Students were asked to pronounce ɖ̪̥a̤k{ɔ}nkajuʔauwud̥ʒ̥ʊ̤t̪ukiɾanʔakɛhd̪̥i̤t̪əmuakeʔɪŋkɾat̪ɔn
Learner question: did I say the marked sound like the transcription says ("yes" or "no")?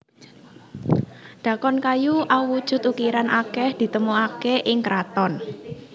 yes